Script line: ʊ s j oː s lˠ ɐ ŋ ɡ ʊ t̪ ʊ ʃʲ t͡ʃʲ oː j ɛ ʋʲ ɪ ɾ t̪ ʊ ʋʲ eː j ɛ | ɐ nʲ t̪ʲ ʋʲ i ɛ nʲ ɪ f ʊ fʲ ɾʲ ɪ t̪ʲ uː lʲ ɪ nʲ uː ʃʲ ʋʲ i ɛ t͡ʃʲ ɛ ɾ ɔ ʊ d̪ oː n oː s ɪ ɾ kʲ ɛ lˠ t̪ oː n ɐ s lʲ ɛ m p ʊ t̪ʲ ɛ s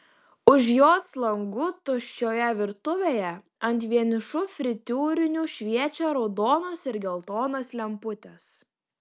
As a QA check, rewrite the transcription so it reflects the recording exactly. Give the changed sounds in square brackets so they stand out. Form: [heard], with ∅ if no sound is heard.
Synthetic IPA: ʊ [ʃ] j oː s lˠ ɐ ŋ ɡ ʊ t̪ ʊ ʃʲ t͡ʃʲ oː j ɛ ʋʲ ɪ ɾ t̪ ʊ ʋʲ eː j ɛ | ɐ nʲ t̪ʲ ʋʲ i ɛ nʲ ɪ [ʃ] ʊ fʲ ɾʲ ɪ t̪ʲ uː [ɾʲ] ɪ nʲ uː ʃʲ ʋʲ i ɛ t͡ʃʲ ɛ ɾ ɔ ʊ d̪ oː n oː s ɪ ɾ [ɡʲ] ɛ lˠ t̪ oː n ɐ s lʲ ɛ m p ʊ t̪ʲ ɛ s

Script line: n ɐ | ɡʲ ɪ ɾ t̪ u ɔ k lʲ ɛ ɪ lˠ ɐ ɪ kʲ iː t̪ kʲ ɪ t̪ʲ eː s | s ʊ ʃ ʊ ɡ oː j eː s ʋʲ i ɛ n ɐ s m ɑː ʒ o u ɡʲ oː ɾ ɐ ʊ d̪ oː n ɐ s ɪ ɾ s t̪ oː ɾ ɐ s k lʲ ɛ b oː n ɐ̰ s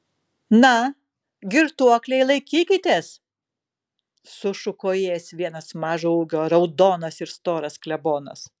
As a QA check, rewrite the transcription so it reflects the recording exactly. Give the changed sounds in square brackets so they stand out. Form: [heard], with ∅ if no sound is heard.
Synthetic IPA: n ɐ | ɡʲ ɪ ɾ t̪ u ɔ k lʲ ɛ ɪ lˠ ɐ ɪ kʲ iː [∅] kʲ ɪ t̪ʲ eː s | s ʊ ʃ ʊ [k] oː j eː s ʋʲ i ɛ n ɐ s m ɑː ʒ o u ɡʲ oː ɾ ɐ ʊ d̪ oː n ɐ s ɪ ɾ s t̪ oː ɾ ɐ s k lʲ ɛ b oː n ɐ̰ s

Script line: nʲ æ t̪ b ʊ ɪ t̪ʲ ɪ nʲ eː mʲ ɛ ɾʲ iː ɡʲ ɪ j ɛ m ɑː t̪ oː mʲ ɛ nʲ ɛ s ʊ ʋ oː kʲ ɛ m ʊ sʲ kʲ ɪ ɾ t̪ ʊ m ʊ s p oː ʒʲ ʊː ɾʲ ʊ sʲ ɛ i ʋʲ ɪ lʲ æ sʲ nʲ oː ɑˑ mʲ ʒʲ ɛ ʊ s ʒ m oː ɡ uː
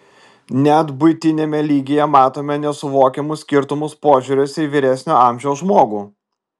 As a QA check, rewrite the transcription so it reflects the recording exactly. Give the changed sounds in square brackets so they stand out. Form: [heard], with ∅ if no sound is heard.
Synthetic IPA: nʲ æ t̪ b ʊ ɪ t̪ʲ ɪ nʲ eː mʲ ɛ [lʲ] iː ɡʲ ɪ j ɛ m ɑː t̪ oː mʲ ɛ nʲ ɛ s ʊ ʋ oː kʲ ɛ m ʊ sʲ kʲ ɪ ɾ t̪ ʊ m ʊ s p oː ʒʲ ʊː ɾʲ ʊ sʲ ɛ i ʋʲ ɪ [ɾʲ] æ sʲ nʲ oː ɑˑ mʲ ʒʲ ɛ ʊ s ʒ m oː ɡ uː

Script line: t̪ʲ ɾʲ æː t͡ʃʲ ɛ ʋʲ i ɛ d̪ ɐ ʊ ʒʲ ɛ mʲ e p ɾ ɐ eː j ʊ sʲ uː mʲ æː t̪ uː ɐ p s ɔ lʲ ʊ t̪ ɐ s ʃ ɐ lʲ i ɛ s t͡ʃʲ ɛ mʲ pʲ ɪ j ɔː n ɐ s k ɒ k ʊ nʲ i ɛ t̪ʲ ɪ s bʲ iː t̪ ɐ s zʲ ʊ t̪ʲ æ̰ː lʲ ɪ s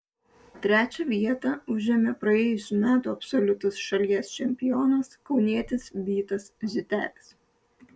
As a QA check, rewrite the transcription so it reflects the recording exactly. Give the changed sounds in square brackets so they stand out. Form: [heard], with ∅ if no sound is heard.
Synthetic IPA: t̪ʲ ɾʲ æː t͡ʃʲ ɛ ʋʲ i ɛ [t̪] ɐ ʊ ʒʲ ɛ mʲ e p ɾ ɐ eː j ʊ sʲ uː mʲ æː t̪ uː ɐ p s ɔ lʲ ʊ t̪ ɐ s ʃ ɐ lʲ i ɛ s t͡ʃʲ ɛ mʲ pʲ ɪ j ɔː n ɐ s k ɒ [∅] ʊ nʲ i ɛ t̪ʲ ɪ s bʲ iː t̪ ɐ s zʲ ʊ t̪ʲ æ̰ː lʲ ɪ s

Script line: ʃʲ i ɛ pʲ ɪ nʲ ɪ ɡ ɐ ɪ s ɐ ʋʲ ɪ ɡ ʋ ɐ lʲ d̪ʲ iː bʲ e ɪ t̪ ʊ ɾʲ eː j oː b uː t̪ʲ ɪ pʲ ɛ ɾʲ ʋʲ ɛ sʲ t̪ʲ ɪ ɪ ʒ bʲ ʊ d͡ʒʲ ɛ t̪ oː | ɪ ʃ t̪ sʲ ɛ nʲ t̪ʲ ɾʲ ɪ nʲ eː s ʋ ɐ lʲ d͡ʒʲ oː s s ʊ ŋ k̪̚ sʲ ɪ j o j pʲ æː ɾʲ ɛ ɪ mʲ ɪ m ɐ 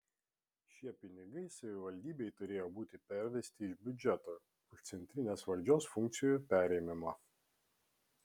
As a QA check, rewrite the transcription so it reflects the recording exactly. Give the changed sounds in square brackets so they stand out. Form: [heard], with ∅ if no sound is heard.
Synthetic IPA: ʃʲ i ɛ pʲ ɪ nʲ ɪ ɡ ɐ ɪ s ɐ ʋʲ ɪ [∅] ʋ ɐ lʲ d̪ʲ iː bʲ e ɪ t̪ ʊ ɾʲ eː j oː b uː t̪ʲ ɪ pʲ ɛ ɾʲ ʋʲ ɛ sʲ t̪ʲ ɪ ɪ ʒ bʲ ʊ d͡ʒʲ ɛ t̪ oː | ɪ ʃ t̪ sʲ ɛ nʲ t̪ʲ ɾʲ ɪ nʲ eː s ʋ ɐ lʲ d͡ʒʲ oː s [f] ʊ ŋ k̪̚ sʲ ɪ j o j pʲ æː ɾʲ ɛ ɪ mʲ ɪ m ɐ

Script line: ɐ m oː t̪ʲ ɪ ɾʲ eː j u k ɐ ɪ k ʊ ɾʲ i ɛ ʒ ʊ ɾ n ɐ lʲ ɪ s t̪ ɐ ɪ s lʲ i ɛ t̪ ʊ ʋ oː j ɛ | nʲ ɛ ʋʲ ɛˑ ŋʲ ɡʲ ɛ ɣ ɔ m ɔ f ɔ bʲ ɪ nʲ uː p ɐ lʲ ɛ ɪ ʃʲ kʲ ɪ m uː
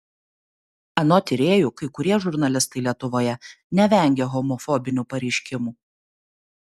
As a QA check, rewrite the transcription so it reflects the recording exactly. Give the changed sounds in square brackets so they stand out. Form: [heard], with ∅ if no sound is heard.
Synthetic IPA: ɐ [n] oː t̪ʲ ɪ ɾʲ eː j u k ɐ ɪ k ʊ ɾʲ i ɛ ʒ ʊ ɾ n ɐ lʲ ɪ s t̪ ɐ ɪ [∅] lʲ i ɛ t̪ ʊ ʋ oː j ɛ | nʲ ɛ ʋʲ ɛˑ ŋʲ ɡʲ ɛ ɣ ɔ m ɔ f ɔ bʲ ɪ nʲ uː p ɐ [ɾʲ] ɛ ɪ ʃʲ kʲ ɪ m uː

